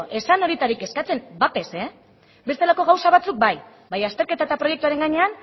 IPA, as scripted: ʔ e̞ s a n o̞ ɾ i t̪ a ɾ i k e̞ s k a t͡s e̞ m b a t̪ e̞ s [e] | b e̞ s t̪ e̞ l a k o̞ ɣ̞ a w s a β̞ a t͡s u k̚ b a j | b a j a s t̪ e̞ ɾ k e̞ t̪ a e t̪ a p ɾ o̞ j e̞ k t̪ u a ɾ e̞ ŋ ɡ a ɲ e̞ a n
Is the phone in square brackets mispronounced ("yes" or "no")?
no